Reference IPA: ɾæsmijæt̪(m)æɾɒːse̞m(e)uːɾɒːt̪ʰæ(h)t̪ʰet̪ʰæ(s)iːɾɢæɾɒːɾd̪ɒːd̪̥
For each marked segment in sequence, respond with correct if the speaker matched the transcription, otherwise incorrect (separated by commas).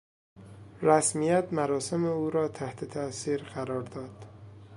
correct, correct, correct, correct